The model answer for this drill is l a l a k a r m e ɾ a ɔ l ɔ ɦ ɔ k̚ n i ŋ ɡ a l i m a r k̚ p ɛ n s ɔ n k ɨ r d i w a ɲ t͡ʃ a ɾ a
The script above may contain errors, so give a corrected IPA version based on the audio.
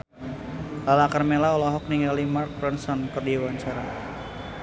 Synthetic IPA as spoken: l a l a k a r m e l a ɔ l ɔ ɦ ɔ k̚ n i ŋ ɡ a l i m a r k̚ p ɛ n s ɔ n k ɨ r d i w a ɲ t͡ʃ a ɾ a